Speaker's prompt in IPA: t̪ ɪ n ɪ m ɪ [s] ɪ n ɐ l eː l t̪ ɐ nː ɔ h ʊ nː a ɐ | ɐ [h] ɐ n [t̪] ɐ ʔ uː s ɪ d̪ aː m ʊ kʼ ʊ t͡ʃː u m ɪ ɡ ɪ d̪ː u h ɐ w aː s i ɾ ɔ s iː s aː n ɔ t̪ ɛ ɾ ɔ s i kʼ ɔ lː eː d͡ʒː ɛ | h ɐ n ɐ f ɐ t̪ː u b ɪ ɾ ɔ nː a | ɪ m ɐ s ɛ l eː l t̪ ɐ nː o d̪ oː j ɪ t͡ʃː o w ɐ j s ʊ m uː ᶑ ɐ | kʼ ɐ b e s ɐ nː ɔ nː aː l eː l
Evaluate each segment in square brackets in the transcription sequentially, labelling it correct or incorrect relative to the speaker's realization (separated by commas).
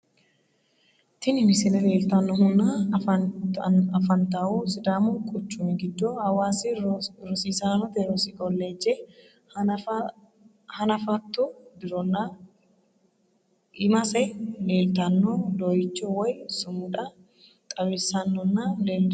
correct, incorrect, correct